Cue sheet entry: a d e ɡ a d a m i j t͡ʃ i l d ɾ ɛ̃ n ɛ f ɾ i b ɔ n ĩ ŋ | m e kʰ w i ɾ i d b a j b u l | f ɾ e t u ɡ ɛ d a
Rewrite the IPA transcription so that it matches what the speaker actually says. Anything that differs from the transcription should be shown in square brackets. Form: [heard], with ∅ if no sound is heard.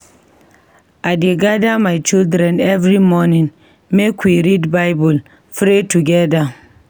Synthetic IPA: a d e ɡ a d a m [a] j t͡ʃ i l d ɾ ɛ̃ n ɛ [v] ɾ i [m] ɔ n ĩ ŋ | m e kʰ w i ɾ i d b a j b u l | f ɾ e t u ɡ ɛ d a